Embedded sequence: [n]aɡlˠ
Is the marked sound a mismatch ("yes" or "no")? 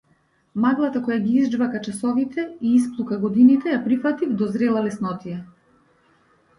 yes